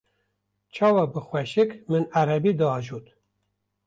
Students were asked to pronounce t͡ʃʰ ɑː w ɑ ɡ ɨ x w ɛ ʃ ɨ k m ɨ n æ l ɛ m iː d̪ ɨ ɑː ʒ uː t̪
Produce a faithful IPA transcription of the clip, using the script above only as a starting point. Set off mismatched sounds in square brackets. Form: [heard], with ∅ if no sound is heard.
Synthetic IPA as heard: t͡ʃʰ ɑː w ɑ [b] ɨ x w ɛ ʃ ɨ k m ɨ n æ [ɾ] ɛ [b] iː d̪ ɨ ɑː ʒ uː t̪